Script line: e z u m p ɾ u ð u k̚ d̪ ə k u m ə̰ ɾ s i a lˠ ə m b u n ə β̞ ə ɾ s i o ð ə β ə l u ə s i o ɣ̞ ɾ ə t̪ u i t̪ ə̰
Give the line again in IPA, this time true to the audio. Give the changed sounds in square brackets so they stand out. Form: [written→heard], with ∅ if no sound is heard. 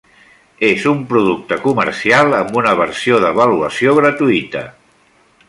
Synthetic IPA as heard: e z u m p ɾ u ð u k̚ [d̪→t̪] ə k u m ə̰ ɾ s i a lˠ ə m b u n ə β̞ ə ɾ s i o ð ə β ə l u ə s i o ɣ̞ ɾ ə t̪ u i t̪ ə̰